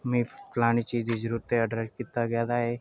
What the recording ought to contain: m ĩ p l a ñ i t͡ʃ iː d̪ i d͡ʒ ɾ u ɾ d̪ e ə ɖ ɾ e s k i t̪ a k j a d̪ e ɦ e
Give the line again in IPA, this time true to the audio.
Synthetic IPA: m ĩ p l a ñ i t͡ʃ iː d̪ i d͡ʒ ɾ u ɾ t̪ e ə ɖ ɾ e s k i t̪ a ɡ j a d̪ a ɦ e